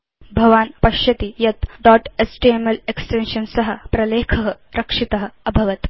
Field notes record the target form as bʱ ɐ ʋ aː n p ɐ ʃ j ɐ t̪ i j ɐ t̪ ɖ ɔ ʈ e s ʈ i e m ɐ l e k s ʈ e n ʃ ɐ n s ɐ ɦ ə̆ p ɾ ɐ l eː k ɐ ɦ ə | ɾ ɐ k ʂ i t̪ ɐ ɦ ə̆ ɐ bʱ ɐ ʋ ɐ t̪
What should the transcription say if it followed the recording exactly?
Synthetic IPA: bʱ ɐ ʋ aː n p ɐ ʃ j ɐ t̪ i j ɐ t̪ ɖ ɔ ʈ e s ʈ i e m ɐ l e k s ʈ e n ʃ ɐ n s ɐ ɦ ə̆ p ɾ ɐ l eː kʰ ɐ ɦ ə | ɾ ɐ k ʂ i t̪ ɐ ɦ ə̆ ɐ bʱ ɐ ʋ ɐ t̪